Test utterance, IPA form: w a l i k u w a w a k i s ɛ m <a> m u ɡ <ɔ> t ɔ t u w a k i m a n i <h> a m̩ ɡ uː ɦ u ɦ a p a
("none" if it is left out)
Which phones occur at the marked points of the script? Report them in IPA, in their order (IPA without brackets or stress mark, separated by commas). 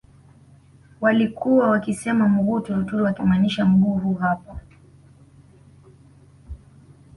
a, u, ʃ